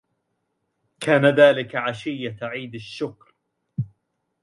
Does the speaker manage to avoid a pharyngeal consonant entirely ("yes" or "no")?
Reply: no